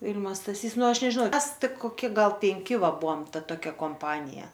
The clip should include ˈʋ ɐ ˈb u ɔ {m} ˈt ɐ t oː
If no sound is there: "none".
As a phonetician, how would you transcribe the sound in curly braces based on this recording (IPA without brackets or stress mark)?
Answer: m